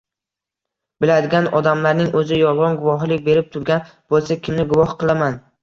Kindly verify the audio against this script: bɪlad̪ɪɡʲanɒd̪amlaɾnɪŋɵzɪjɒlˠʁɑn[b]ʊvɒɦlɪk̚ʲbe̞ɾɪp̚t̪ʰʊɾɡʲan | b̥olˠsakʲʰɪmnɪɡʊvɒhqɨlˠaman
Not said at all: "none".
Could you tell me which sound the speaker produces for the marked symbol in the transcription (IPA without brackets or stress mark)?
ɡ